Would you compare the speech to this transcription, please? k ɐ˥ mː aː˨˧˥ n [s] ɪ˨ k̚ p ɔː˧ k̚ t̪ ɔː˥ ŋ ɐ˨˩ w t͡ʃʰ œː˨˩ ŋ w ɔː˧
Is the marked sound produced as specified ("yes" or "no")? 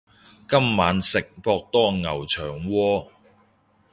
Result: yes